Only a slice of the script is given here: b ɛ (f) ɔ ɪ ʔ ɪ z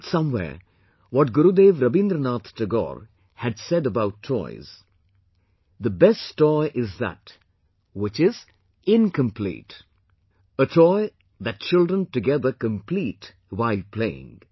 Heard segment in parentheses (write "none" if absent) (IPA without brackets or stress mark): s